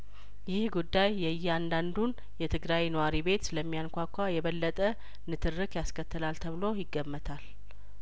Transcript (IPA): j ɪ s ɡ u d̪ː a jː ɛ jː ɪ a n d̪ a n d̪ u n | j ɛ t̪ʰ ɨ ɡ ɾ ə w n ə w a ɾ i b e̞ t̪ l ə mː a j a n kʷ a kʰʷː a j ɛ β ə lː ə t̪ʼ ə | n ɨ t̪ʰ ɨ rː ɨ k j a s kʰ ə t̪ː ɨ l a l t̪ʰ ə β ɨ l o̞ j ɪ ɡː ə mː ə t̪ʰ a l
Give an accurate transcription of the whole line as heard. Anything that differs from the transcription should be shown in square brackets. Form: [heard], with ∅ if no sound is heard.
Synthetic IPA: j ɪ [h] ɡ u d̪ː a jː ɛ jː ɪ a n d̪ a n d̪ u n | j ɛ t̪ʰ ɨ ɡ ɾ [a] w n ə w a ɾ i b e̞ t̪ l ə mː [i] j a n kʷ a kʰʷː a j ɛ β ə lː ə t̪ʼ ə | n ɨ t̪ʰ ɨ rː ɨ k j a s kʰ ə t̪ː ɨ l a l t̪ʰ ə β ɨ l o̞ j ɪ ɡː ə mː ə t̪ʰ a l